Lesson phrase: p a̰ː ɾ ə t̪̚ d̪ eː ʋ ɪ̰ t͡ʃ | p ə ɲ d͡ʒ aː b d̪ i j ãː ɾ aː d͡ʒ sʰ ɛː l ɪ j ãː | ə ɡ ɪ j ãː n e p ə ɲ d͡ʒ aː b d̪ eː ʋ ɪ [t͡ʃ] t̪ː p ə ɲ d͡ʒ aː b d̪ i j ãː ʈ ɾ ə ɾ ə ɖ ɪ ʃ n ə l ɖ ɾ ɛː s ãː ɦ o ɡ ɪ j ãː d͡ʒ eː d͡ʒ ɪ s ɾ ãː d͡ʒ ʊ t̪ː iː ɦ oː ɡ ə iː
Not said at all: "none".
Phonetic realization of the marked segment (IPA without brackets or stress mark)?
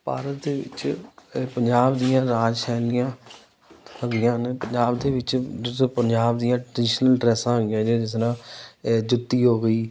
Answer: t͡ʃ